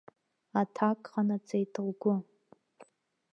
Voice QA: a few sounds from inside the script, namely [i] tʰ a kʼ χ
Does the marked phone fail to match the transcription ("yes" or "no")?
yes